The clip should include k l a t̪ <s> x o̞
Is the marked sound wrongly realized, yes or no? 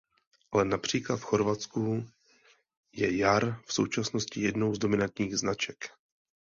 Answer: yes